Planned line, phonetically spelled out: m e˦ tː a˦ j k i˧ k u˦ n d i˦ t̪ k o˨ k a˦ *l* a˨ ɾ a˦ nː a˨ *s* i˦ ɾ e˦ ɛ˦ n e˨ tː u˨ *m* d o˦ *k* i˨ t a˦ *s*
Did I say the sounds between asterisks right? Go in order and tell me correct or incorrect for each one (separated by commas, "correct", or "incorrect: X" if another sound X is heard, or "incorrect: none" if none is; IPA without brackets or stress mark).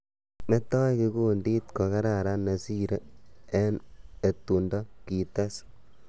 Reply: incorrect: ɾ, correct, incorrect: n, correct, correct